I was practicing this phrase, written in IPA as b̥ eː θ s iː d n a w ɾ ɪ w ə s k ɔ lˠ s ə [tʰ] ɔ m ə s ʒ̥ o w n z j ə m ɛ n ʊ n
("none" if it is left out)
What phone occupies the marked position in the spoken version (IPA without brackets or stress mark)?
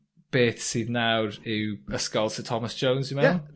tʰ